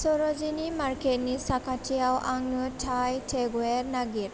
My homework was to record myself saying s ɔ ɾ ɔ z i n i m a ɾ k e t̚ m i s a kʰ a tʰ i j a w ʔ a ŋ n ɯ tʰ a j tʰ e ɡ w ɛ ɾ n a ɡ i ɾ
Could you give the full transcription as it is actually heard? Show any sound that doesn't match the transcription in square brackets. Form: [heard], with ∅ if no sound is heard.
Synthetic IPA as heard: s ɔ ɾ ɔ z i n i m a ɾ k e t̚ [n] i s a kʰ a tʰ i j a w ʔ a ŋ n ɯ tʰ a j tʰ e ɡ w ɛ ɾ n a ɡ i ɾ